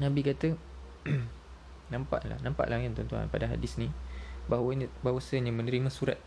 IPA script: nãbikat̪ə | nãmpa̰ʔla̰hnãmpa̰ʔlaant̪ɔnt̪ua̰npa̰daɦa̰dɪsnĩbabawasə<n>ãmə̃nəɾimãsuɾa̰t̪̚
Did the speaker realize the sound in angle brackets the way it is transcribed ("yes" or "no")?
no